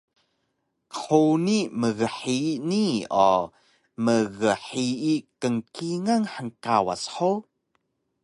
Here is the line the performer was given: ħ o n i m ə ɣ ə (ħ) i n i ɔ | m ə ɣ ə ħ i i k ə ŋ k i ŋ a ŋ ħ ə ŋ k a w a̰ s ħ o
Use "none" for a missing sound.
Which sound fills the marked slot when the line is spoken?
ħ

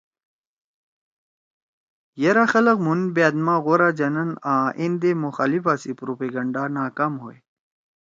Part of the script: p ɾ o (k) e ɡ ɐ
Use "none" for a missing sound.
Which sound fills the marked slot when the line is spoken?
p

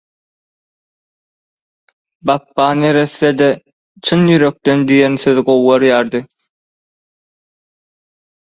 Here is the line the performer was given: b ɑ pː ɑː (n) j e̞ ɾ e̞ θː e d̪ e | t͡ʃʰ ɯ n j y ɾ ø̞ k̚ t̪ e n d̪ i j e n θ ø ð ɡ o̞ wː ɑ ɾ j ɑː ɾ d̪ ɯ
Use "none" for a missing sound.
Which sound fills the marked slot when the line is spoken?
n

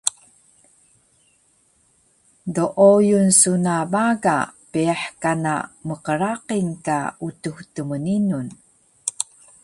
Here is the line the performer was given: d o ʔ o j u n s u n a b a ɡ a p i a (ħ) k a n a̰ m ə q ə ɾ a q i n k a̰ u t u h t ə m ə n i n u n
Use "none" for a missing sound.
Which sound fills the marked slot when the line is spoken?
ħ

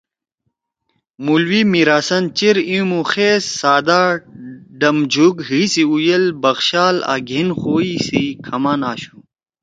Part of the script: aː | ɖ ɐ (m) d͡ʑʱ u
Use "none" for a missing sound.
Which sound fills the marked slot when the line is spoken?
m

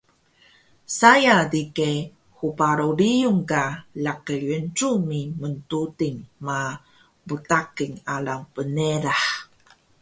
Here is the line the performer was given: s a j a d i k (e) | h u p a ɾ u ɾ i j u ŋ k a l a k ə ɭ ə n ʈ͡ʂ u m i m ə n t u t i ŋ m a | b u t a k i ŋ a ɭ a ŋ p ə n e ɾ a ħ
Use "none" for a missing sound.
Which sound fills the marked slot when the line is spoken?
e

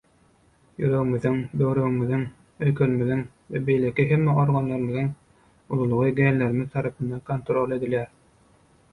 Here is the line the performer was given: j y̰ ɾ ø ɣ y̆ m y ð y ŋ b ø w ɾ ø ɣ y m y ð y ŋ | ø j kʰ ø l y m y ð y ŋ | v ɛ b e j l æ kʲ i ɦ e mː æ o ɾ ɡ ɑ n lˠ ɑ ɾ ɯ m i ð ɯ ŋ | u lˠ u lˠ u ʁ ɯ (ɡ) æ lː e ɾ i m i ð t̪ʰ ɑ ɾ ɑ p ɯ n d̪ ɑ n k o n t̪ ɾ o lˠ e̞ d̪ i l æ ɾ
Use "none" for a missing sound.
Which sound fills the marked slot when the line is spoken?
ɡ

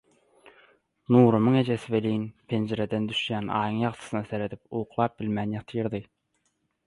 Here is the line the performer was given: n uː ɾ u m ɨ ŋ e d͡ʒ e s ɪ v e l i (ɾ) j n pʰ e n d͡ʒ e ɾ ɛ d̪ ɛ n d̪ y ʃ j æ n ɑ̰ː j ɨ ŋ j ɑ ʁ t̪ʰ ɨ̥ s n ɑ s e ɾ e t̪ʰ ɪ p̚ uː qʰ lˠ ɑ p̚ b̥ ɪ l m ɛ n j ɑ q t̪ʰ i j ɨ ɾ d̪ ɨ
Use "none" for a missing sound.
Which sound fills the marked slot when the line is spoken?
none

